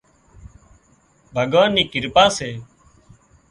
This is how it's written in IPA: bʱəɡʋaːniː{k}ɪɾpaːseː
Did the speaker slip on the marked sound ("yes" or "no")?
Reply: no